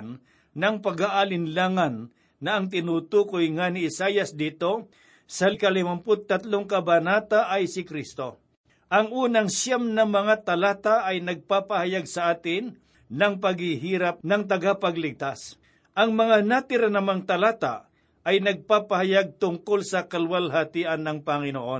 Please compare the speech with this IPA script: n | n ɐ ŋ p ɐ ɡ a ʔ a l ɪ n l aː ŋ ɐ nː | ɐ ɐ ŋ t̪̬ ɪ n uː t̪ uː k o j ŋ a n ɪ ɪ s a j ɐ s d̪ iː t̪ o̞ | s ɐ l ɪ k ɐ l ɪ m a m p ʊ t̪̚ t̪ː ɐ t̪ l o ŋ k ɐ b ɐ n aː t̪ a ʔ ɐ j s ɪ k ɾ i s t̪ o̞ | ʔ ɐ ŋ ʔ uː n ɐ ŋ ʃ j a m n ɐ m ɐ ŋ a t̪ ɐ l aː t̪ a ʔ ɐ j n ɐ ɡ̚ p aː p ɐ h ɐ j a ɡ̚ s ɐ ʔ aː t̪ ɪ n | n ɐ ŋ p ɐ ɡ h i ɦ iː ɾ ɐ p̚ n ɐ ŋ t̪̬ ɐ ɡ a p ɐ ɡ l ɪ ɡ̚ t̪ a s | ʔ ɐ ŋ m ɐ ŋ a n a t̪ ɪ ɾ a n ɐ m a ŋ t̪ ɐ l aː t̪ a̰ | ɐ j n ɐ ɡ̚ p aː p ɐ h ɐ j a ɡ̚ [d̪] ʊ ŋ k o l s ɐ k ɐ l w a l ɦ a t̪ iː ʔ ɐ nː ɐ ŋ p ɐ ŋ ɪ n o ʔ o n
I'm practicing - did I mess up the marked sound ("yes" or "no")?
yes